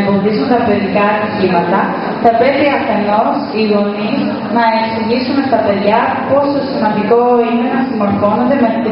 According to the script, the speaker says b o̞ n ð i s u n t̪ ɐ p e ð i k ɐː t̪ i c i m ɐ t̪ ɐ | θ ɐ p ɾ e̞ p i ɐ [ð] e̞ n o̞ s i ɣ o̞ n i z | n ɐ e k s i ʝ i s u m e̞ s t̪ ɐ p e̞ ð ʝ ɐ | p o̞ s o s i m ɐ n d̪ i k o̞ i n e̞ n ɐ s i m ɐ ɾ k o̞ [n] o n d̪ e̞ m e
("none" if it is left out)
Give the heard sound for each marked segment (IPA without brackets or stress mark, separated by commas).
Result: θ, n